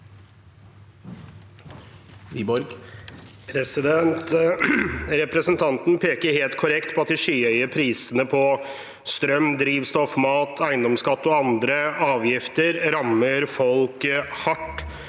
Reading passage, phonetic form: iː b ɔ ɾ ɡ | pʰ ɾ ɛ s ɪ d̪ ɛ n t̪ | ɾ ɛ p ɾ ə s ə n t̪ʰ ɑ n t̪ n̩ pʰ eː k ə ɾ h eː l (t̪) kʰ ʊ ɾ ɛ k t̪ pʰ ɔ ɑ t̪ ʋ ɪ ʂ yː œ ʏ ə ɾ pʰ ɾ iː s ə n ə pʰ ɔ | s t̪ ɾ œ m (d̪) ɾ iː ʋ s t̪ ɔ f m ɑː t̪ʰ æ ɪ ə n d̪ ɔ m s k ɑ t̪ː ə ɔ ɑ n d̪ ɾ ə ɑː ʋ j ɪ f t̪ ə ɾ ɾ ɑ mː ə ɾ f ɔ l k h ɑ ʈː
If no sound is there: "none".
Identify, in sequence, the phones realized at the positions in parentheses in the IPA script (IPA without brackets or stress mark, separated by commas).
t̪, d̪